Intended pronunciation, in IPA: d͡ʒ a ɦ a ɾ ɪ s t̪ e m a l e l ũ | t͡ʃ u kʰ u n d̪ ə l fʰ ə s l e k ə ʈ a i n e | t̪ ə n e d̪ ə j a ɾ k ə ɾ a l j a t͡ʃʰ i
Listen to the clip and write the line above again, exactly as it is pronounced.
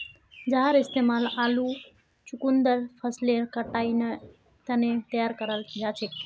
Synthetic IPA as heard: d͡ʒ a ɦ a ɾ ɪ s t̪ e m a l a l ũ | t͡ʃ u k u n d̪ ə ɾ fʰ ə s l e k ə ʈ a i n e | t̪ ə n e t̪ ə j a ɾ k ə ɾ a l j a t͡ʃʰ e